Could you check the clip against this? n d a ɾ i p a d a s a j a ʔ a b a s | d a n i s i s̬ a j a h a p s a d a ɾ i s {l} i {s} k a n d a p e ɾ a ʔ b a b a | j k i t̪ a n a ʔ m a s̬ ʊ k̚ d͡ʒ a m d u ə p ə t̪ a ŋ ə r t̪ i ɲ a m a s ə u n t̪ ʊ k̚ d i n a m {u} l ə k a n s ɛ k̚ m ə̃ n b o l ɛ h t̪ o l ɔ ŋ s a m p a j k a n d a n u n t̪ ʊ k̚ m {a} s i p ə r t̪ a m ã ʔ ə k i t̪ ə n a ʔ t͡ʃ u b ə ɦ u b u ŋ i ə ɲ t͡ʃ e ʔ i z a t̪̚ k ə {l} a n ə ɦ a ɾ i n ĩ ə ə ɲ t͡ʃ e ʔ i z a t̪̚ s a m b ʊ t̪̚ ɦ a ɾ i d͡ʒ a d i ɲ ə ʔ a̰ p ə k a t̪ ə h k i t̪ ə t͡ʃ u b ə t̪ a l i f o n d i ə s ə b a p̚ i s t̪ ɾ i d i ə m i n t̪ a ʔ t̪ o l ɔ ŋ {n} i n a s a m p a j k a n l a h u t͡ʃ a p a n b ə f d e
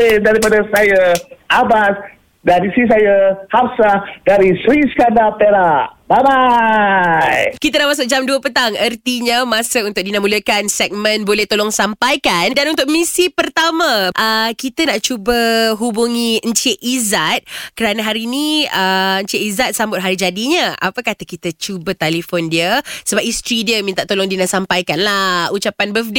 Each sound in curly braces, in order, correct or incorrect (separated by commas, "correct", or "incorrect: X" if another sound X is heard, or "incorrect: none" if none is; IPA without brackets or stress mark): incorrect: ɾ, correct, correct, incorrect: i, incorrect: ɾ, incorrect: d